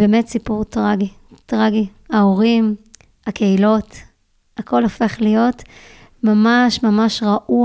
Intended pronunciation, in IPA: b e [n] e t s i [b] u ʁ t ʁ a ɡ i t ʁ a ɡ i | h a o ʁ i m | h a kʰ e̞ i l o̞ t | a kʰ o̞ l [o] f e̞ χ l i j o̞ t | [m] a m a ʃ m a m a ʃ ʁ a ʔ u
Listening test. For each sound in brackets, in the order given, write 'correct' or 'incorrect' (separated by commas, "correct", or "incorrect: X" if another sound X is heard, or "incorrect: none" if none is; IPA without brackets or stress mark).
incorrect: m, incorrect: p, correct, correct